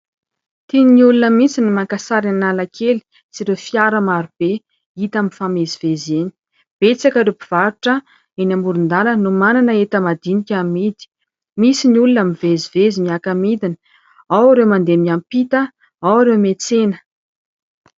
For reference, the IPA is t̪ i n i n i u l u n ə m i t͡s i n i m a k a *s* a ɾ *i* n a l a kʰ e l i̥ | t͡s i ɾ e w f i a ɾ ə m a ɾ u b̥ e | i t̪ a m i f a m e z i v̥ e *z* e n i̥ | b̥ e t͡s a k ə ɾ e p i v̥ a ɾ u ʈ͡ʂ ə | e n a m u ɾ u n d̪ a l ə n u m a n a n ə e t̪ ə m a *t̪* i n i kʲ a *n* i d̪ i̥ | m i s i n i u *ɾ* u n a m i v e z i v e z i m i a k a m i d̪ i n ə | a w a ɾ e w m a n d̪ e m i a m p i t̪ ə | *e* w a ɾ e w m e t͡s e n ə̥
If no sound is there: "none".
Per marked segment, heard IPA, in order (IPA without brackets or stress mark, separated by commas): s, a, z, d̪, m, l, a